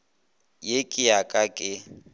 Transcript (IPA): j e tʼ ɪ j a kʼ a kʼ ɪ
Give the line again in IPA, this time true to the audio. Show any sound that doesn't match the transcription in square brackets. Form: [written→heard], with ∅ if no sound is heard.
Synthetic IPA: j e [tʼ→kʼ] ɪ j a kʼ a kʼ ɪ